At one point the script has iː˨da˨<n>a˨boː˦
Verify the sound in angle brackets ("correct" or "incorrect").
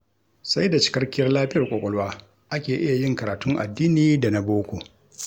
correct